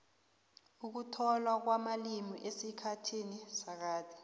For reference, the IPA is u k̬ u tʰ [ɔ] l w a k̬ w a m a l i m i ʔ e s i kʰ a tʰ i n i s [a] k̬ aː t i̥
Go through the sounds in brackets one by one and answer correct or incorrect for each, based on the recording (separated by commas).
correct, correct